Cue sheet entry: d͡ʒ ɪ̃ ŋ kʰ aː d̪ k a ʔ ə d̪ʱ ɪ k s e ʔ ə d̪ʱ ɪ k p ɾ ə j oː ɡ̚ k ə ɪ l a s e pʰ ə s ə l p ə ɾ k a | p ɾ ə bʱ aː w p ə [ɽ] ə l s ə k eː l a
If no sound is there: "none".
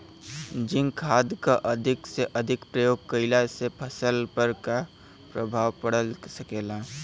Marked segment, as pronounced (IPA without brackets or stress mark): ɽ